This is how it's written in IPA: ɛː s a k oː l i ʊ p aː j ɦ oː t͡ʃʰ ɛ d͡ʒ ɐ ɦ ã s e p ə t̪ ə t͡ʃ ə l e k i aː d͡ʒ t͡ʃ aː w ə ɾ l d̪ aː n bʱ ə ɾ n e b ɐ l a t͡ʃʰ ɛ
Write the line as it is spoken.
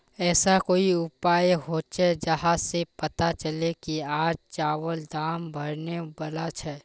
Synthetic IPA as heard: ɛː s a k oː i ʊ p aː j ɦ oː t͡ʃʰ ɛ d͡ʒ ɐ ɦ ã s e p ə t̪ a t͡ʃ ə l e k i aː d͡ʒ t͡ʃ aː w ə l d̪ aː m bʱ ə ɾ n e b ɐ l a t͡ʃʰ ɛ